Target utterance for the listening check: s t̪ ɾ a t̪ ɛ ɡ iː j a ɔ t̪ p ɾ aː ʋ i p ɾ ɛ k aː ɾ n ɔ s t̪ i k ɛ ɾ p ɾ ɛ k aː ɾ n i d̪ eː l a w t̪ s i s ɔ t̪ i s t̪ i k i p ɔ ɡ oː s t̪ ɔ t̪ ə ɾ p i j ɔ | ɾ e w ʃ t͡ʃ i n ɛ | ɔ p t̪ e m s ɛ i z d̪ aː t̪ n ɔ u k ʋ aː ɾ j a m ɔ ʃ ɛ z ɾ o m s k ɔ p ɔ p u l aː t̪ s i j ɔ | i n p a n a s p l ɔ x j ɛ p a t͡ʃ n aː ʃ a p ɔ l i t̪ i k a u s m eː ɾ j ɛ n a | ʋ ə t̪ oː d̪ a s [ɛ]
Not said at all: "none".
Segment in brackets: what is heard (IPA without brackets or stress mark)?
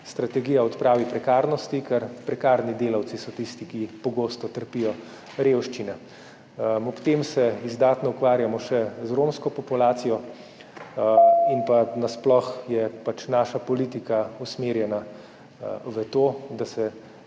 ɛ